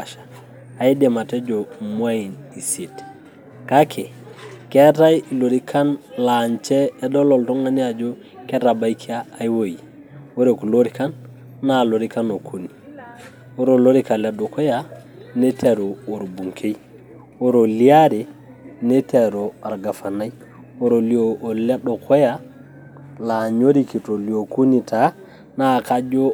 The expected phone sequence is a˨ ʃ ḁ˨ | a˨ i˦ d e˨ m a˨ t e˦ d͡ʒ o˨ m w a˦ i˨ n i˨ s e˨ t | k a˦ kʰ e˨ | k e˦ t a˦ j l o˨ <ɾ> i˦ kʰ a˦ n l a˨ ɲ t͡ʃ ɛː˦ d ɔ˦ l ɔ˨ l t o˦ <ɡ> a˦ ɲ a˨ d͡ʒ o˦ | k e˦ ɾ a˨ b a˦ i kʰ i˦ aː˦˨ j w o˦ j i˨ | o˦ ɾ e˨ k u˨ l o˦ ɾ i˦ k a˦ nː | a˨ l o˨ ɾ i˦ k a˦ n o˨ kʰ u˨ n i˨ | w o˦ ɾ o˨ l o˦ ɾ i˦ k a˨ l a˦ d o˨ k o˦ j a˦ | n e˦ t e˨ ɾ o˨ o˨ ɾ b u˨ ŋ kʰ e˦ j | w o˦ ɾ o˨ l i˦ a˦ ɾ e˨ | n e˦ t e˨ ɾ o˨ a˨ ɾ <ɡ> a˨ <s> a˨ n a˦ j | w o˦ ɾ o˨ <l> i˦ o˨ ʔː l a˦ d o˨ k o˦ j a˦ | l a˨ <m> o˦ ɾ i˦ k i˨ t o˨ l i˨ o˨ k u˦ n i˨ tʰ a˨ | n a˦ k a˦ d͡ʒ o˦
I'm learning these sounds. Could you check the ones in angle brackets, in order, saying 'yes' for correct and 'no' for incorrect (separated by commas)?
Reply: yes, no, yes, no, yes, no